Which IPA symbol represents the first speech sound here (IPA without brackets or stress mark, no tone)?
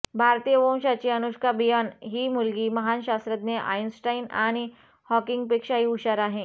bʱ